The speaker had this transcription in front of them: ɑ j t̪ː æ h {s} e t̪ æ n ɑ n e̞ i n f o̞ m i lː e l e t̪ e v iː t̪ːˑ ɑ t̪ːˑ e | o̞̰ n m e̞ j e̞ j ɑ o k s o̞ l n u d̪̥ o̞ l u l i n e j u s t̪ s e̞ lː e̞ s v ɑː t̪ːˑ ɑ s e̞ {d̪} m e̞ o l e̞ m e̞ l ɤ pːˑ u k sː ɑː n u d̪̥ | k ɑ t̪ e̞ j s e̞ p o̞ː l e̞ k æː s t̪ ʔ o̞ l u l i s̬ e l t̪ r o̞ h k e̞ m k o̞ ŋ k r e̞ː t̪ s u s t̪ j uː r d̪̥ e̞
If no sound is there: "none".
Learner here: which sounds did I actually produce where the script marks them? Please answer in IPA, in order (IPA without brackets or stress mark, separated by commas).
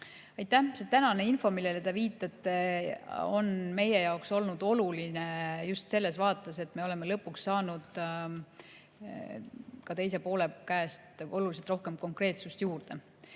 s, t̪